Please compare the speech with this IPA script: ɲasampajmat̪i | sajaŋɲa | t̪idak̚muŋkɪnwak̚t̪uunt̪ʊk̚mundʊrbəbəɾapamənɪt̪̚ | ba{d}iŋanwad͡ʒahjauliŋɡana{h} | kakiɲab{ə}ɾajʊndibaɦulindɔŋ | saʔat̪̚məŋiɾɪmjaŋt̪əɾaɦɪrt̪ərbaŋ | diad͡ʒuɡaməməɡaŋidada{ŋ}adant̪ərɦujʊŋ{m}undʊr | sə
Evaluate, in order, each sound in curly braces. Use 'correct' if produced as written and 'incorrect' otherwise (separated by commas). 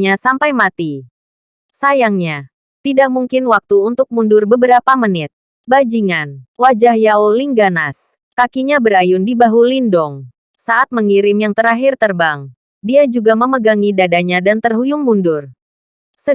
incorrect, incorrect, correct, incorrect, correct